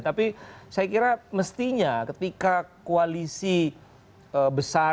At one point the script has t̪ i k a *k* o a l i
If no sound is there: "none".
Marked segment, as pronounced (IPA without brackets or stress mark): k